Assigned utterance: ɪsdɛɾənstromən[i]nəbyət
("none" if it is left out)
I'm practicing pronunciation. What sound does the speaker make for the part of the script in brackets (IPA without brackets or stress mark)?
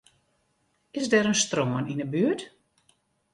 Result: i